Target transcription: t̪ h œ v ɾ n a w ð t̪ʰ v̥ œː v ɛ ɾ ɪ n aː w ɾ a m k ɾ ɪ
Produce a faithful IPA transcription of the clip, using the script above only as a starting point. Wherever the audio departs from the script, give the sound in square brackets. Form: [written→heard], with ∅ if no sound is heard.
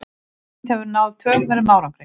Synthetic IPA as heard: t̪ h [œ→ɛ] v ɾ n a w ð t̪ʰ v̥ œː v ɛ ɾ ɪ [n→m] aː w ɾ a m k ɾ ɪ